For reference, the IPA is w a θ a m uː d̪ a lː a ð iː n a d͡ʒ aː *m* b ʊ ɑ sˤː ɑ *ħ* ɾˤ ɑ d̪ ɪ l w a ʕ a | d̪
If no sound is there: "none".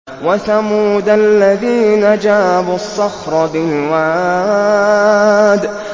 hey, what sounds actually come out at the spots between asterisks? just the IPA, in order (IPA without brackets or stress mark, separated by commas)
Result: none, x